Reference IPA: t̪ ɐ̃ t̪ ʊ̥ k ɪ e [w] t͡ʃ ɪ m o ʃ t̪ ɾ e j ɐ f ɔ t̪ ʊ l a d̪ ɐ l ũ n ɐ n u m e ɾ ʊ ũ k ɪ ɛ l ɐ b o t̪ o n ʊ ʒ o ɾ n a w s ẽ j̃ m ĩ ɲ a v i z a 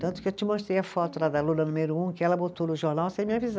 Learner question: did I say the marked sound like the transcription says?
yes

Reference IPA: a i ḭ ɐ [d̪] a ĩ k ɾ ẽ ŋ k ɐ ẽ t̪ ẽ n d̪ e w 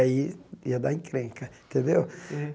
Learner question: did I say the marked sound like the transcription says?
yes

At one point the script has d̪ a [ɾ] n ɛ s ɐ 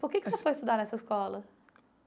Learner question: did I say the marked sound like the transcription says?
yes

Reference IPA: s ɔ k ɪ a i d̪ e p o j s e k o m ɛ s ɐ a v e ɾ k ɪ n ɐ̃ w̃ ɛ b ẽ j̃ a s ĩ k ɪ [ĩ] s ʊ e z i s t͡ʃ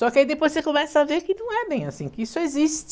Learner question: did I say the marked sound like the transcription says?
no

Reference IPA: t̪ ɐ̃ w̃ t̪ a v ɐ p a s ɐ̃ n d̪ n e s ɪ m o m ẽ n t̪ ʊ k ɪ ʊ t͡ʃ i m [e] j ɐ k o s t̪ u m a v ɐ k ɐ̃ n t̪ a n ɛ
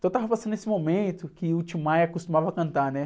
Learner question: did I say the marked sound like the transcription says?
no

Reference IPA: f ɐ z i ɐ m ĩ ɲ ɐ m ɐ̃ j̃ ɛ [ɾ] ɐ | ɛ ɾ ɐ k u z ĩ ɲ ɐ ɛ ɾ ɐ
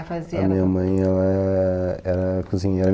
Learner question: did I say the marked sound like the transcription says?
no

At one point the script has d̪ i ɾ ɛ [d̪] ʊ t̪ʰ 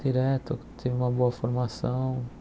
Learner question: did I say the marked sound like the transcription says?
no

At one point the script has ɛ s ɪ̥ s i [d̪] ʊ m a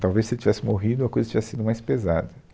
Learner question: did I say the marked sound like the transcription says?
yes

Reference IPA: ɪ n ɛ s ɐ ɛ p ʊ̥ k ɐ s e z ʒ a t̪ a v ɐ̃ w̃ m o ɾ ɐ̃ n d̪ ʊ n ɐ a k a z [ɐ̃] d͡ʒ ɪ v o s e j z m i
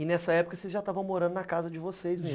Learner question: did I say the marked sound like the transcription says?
no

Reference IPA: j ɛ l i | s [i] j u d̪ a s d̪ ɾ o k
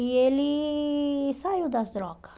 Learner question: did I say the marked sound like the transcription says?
no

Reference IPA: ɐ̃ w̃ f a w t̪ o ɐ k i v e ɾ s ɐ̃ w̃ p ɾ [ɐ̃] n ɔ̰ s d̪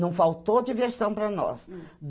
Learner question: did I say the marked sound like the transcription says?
no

